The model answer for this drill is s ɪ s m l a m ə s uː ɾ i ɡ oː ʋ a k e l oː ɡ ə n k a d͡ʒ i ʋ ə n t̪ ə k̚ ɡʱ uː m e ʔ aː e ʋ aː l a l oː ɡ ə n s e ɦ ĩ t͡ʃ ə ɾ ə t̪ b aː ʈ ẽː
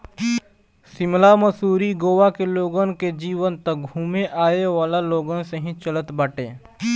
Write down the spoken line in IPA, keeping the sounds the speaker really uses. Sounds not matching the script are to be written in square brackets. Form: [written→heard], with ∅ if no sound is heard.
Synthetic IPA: s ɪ [s→∅] m l a m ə s uː ɾ i ɡ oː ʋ a k e l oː ɡ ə n k [a→e] d͡ʒ [i→iː] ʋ ə n t̪ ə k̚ ɡʱ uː m e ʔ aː e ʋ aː l a l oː ɡ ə n s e ɦ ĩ t͡ʃ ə [ɾ→l] ə t̪ b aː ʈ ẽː